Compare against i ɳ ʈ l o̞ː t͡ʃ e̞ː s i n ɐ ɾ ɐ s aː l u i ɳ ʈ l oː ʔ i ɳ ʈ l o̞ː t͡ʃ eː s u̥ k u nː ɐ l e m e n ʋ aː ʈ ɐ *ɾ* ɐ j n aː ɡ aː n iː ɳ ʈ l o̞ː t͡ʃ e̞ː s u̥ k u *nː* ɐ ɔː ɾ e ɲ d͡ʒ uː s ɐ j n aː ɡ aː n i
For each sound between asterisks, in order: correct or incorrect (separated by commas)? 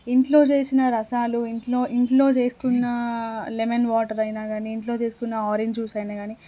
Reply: correct, correct